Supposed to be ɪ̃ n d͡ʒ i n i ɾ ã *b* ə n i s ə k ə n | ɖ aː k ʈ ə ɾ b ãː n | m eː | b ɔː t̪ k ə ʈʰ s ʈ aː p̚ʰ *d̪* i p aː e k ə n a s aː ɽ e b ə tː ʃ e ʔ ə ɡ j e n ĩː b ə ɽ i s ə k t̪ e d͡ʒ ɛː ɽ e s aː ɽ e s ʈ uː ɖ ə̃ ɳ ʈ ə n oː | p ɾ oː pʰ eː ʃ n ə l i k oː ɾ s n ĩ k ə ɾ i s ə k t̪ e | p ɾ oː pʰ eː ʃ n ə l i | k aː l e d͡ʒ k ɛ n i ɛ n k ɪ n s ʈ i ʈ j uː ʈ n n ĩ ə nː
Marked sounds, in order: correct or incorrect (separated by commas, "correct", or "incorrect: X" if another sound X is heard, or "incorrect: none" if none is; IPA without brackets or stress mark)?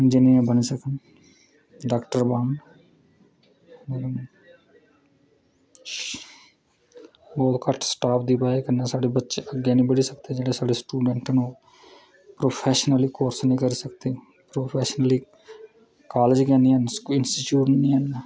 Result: correct, correct